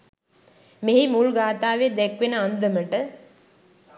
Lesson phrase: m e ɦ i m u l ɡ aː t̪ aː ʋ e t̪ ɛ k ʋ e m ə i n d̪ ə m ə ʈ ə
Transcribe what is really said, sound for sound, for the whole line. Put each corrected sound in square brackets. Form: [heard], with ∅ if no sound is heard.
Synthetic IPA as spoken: m e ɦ i m u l ɡ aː t̪ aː ʋ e [d̪] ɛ k ʋ e [n] ə [a] n d̪ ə m ə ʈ ə

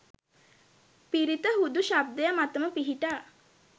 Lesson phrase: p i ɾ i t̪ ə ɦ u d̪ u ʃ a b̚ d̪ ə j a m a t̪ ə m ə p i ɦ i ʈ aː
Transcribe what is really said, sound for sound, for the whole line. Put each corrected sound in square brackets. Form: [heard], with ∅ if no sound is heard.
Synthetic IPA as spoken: p i ɾ i t̪ ə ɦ u d̪ u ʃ a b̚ d̪ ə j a m a t̪ ə m ə p i ɦ i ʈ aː

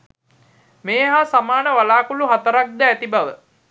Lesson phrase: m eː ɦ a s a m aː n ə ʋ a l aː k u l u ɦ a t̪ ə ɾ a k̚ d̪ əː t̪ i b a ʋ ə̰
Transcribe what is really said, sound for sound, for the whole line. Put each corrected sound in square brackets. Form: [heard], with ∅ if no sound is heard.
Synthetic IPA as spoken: m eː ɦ a s a m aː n ə ʋ a l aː k u l u ɦ a t̪ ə ɾ a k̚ d̪ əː t̪ i b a ʋ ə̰

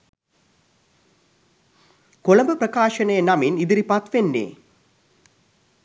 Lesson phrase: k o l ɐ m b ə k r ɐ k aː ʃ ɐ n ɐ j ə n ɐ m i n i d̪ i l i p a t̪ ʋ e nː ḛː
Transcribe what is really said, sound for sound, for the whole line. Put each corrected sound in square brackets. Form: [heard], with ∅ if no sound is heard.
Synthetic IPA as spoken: k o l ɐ m b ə [p] r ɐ k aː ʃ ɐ n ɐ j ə n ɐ m i n i d̪ i [ɾ] i p a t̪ ʋ e nː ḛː

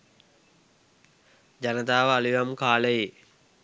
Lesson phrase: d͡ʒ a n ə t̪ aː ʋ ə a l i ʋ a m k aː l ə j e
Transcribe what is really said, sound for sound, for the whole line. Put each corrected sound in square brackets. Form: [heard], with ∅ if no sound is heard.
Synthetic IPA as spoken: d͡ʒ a n ə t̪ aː ʋ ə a l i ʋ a m k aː l ə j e

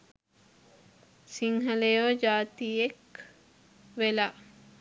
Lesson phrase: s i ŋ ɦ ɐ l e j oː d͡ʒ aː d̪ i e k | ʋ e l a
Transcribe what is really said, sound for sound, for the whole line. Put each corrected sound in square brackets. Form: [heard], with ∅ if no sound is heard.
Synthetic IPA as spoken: s i ŋ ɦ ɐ l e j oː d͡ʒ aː [t̪] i e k | ʋ e l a

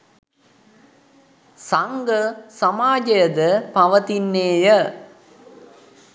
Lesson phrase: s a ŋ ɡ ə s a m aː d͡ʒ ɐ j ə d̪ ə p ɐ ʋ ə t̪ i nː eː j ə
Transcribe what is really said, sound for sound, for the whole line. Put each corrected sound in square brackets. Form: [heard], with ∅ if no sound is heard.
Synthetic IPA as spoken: s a ŋ ɡ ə s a m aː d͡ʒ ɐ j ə d̪ ə p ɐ ʋ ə t̪ i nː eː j ə

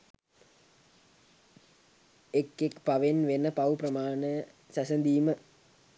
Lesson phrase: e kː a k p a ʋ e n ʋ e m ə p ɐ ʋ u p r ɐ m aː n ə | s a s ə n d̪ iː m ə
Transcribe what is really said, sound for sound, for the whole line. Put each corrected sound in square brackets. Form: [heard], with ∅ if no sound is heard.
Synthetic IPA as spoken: e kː [e] k p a ʋ e n ʋ e [n] ə p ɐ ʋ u p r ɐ m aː n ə | s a s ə n d̪ iː m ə

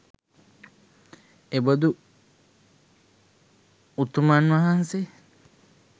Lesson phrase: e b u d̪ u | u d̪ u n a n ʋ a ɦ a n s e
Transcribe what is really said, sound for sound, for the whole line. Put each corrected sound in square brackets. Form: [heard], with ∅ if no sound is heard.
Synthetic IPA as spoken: e b [o] d̪ u | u [t̪] u [m] a n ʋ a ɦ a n s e

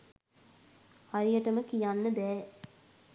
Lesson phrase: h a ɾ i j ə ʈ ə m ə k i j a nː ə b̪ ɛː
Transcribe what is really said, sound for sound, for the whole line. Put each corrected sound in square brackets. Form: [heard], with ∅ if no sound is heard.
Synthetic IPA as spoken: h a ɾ i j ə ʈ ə m ə k i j a nː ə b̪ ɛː

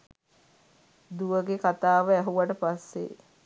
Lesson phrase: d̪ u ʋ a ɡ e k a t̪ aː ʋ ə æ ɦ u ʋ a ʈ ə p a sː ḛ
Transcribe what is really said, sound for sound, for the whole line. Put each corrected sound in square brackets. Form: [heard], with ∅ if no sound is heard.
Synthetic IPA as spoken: d̪ u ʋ [ə] ɡ e k a t̪ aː ʋ ə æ ɦ u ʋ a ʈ ə p a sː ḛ

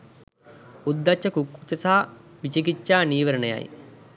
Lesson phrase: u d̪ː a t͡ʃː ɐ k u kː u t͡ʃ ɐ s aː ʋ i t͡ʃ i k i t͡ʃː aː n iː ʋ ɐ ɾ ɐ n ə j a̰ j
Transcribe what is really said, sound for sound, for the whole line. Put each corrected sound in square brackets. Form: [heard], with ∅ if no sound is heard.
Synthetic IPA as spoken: u d̪ː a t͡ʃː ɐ k u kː u t͡ʃ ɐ s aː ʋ i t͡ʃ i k i t͡ʃː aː n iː ʋ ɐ ɾ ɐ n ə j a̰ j

